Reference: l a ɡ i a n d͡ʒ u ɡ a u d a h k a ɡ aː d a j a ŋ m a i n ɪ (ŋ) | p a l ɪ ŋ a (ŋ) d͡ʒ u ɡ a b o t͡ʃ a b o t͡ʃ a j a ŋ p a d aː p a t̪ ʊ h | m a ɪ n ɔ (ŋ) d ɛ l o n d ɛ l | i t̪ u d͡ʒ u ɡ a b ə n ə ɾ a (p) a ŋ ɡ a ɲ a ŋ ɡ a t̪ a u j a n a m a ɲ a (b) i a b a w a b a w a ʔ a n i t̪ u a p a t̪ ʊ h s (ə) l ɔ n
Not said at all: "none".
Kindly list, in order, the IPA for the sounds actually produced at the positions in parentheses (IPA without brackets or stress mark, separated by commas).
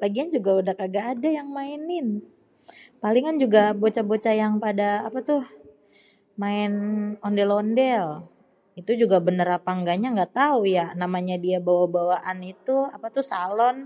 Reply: n, n, n, p, d, a